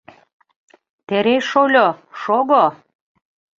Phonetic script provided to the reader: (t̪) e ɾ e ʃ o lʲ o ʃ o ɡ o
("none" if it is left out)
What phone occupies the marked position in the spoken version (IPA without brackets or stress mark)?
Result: t̪